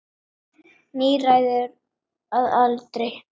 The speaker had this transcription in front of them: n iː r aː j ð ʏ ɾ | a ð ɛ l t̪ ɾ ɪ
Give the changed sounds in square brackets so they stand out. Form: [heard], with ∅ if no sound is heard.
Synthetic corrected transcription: n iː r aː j ð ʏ ɾ | a ð [a] l t̪ ɾ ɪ